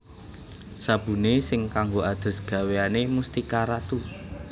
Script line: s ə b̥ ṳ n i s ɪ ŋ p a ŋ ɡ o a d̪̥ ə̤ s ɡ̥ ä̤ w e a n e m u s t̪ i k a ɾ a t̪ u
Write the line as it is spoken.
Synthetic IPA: s a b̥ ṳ n e s ɪ ŋ k a ŋ ɡ o a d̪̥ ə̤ s ɡ̥ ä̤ w e a n e m u s t̪ i k a ɾ a t̪ u

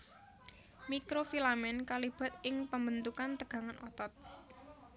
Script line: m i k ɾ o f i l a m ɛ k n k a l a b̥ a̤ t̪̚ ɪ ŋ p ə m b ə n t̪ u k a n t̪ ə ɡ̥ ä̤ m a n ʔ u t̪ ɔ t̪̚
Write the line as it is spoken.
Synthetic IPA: m i k ɾ o f i l a m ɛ n k a l i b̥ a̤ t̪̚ ɪ ŋ p ə m b ə n t̪ u k a n t̪ ə ɡ̥ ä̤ ŋ a n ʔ ɔ t̪ ɔ t̪̚

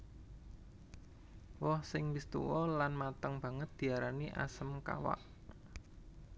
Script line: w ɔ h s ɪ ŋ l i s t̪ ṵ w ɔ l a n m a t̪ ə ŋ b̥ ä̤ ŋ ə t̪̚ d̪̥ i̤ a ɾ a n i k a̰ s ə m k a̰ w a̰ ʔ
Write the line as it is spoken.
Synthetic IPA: w ɔ h s ɪ ŋ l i s t̪ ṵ w ɔ l a n m a t̪ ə ŋ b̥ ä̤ ŋ ə t̪̚ d̪̥ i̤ a ɾ a n i ʔ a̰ s ə m k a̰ w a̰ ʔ

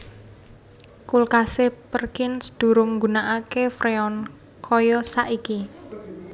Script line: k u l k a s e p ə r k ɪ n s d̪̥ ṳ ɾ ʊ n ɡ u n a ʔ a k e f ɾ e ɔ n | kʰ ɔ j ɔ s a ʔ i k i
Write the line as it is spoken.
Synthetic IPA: k u l k a s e p ə r k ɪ n s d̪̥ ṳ ɾ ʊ ŋ ɡ u n a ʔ a k e f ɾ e ɔ n | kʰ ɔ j ɔ s a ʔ i k i

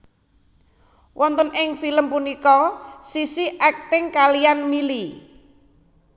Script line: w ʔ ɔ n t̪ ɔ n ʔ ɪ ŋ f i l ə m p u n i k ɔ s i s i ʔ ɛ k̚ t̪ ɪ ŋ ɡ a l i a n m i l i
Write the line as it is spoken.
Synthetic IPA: w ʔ ɔ n t̪ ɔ n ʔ ɪ ŋ f i l ə m p u n i k ɔ s i s i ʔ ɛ k̚ t̪ ɪ ŋ k a l i a n m i l i

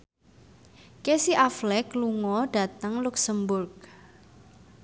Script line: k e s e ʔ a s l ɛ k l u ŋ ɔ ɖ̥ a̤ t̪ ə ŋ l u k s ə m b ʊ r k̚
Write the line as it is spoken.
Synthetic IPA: k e s i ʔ a f l ɛ k l u ŋ ɔ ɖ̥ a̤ t̪ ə ŋ l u k s ə m b ʊ r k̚

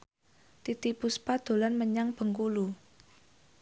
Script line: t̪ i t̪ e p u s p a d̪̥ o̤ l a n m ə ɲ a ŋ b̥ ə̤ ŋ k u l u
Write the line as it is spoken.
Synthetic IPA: t̪ i t̪ i p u s p a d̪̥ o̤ l a n m ə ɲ a ŋ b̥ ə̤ ŋ k u l u

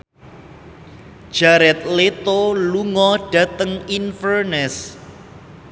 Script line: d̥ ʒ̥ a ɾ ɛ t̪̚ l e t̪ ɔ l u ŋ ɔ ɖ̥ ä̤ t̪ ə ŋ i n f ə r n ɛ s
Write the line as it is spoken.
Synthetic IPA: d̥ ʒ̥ a ɾ ɛ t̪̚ l e t̪ o l u ŋ ɔ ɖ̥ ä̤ t̪ ə ŋ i n f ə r n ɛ s

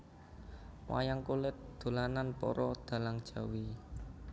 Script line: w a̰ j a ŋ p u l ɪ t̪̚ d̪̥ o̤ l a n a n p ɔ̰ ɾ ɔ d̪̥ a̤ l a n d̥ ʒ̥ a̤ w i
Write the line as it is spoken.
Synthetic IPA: w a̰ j a ŋ k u l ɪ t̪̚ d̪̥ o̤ l a n a n p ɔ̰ ɾ ɔ d̪̥ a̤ l a ŋ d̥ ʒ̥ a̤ w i

